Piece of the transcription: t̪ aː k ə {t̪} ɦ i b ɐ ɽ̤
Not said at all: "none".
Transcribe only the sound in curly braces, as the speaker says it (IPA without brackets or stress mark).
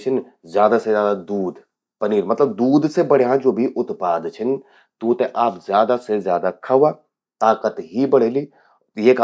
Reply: t̪